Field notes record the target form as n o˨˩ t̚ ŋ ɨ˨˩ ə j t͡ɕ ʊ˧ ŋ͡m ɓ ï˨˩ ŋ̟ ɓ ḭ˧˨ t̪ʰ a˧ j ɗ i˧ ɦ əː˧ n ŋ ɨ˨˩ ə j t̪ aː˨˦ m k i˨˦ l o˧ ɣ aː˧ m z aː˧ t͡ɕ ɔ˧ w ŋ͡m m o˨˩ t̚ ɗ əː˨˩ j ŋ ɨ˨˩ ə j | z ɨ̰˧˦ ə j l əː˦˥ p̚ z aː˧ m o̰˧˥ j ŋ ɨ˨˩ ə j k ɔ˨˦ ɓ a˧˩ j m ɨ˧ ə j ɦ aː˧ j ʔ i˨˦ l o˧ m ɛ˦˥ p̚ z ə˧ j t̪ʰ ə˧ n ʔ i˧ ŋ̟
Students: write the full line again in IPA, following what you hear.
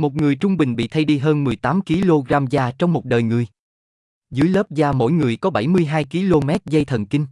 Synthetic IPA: m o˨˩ t̚ ŋ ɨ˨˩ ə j t͡ɕ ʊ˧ ŋ͡m ɓ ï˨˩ ŋ̟ ɓ ḭ˧˨ t̪ʰ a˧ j ɗ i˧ ɦ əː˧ n m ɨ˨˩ ə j t̪ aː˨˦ m k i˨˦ l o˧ ɣ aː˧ m z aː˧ t͡ɕ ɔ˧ w ŋ͡m m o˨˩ t̚ ɗ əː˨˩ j ŋ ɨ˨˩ ə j | z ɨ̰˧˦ ə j l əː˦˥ p̚ z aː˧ m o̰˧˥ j ŋ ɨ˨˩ ə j k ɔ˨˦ ɓ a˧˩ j m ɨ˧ ə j ɦ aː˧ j k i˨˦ l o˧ m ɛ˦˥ t̚ z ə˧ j t̪ʰ ə˨˩ n k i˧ ŋ̟

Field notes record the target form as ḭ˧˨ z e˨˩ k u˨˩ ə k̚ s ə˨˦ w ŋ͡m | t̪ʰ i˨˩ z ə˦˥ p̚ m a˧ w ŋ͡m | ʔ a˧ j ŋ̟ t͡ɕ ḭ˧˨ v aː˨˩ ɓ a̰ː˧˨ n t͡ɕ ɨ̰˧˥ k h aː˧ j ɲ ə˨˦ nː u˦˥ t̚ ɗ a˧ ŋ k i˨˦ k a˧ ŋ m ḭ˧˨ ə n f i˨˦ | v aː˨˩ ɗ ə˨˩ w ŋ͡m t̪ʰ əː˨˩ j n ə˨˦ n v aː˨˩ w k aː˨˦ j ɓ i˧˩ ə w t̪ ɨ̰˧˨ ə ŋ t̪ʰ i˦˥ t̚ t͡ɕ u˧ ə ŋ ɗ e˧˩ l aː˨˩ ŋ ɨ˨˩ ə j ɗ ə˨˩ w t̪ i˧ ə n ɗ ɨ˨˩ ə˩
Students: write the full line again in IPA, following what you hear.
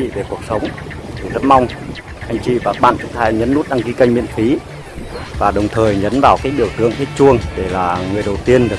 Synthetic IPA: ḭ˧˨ v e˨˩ k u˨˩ ə k̚ s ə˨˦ w ŋ͡m | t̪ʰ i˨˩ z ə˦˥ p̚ m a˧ w ŋ͡m | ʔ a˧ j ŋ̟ t͡ɕ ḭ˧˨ v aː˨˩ ɓ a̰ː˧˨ n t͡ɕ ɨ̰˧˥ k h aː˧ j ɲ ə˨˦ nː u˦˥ t̚ ɗ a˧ ŋ k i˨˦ k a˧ ŋ m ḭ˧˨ ə n f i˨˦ | v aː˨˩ ɗ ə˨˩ w ŋ͡m t̪ʰ əː˨˩ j ɲ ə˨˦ n v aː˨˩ w k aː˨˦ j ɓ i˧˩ ə w t̪ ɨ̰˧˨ ə ŋ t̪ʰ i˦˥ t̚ t͡ɕ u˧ ə ŋ ɗ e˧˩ l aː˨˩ ŋ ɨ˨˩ ə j ɗ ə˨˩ w t̪ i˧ ə n ɗ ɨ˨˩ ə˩

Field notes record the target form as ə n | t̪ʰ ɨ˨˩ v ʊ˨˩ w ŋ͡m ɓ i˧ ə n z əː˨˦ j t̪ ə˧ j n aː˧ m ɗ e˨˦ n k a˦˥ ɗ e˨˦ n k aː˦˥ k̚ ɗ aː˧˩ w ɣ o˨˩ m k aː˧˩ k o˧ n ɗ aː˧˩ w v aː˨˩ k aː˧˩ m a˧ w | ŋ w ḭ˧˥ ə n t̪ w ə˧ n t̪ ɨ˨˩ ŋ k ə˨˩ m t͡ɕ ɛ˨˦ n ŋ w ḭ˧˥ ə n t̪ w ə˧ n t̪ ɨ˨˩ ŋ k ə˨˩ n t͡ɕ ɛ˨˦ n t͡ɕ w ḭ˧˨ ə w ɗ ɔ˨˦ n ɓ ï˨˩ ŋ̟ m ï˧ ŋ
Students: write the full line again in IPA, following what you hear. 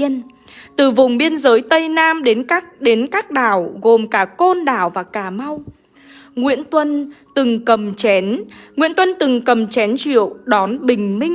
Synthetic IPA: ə n | t̪ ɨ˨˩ v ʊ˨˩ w ŋ͡m ɓ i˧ ə n z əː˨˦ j t̪ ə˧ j n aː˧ m ɗ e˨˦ n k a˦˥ ɗ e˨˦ n k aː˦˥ k̚ ɗ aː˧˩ w ɣ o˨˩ m k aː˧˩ k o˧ n ɗ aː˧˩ w v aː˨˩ k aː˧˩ m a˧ w | ŋ w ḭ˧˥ ə n t̪ w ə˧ n t̪ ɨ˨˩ ŋ k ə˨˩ m t͡ɕ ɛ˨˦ n ŋ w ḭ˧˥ ə n t̪ w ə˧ n t̪ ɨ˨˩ ŋ k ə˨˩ m t͡ɕ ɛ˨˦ n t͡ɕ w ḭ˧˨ ə w ɗ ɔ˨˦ n ɓ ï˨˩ ŋ̟ m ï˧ ŋ

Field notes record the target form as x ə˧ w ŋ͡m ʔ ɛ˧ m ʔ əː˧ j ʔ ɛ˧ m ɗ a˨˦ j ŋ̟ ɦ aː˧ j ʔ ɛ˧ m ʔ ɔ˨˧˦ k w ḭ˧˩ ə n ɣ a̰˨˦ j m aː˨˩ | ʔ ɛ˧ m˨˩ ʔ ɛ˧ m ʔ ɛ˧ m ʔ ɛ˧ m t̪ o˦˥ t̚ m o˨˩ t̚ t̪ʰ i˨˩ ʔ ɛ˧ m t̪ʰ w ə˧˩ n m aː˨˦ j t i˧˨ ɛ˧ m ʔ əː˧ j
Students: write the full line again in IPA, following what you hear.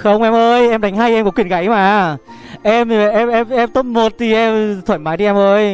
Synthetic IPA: x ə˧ w ŋ͡m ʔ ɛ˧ m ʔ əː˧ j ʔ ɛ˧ m ɗ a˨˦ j ŋ̟ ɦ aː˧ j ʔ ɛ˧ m k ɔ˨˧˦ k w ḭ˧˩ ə n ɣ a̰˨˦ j m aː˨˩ | ʔ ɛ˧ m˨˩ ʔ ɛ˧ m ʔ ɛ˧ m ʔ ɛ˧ m t̪ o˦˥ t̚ m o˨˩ t̚ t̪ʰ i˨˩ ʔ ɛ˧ m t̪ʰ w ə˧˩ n m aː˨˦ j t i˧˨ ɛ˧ m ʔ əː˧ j

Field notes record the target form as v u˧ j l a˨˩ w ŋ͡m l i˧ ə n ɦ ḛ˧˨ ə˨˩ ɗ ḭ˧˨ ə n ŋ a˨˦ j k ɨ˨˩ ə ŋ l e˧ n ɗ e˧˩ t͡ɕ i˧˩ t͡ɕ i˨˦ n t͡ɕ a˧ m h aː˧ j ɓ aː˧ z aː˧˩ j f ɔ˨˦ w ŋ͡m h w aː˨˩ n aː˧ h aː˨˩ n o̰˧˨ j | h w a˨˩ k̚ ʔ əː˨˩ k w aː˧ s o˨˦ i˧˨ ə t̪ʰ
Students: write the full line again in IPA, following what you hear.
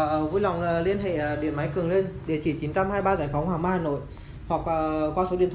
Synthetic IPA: v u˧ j l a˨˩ w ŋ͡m l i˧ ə n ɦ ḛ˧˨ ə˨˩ ɗ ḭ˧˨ ə n m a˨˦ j k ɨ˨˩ ə ŋ l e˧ n ɗ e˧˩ t͡ɕ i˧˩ t͡ɕ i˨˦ n t͡ɕ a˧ m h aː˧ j ɓ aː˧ z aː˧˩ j f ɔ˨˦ w ŋ͡m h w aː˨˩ m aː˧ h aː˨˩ n o̰˧˨ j | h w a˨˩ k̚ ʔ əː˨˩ k w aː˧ s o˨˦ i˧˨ ə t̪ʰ

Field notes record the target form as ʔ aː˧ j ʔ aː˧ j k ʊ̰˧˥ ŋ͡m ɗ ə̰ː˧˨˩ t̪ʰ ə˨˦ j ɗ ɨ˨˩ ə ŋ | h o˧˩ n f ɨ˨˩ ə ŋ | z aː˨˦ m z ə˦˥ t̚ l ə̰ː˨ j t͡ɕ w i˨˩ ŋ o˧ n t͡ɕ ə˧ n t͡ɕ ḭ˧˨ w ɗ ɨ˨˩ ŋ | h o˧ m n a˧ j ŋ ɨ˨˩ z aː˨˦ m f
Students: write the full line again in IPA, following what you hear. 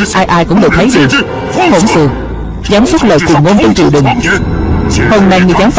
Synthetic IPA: ʔ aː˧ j ʔ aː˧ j k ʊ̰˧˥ ŋ͡m ɗ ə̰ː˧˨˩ t̪ʰ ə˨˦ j ɗ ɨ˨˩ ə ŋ | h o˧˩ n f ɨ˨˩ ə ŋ | z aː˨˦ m s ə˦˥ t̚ l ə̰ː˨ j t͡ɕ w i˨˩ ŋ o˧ n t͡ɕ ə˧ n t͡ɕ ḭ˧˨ w ɗ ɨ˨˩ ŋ | h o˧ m n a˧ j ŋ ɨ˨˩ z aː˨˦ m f

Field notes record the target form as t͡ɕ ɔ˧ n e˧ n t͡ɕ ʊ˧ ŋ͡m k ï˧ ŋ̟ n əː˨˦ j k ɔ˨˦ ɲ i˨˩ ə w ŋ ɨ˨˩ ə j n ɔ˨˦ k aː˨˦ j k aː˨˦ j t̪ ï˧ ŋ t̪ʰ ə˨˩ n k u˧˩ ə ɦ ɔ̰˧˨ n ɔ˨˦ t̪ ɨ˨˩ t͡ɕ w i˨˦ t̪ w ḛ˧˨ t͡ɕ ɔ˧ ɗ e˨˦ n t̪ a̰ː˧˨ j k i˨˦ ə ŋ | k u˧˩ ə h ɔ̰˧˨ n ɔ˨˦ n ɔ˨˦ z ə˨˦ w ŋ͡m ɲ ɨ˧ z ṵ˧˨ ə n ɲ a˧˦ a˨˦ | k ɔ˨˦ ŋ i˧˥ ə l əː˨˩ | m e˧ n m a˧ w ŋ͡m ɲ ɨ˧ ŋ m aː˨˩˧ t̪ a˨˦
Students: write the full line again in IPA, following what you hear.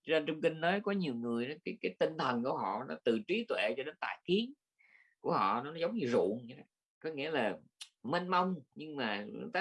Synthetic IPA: t͡ɕ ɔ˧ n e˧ n t͡ɕ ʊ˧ ŋ͡m k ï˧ ŋ̟ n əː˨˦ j k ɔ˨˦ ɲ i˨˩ ə w ŋ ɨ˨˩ ə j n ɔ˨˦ k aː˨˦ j k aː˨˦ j t̪ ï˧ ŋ t̪ʰ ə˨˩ n k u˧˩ ə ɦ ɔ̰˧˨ n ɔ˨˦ t̪ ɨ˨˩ t͡ɕ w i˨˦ t̪ w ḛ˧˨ t͡ɕ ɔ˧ ɗ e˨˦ n t̪ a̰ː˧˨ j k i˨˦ ə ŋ | k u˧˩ ə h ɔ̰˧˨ n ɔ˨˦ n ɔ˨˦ z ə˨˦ w ŋ͡m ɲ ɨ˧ z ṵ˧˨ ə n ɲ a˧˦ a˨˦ | k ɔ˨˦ ŋ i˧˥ ə l aː˨˩ | m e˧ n m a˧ w ŋ͡m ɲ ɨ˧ ŋ m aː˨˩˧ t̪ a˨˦

